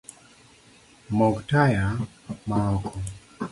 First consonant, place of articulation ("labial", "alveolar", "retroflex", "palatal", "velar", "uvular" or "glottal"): labial